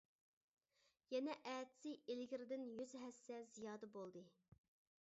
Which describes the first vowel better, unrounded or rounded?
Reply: unrounded